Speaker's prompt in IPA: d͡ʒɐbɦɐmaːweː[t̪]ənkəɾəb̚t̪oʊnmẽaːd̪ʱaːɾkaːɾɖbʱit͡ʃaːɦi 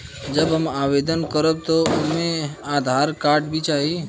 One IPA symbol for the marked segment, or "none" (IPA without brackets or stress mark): d̪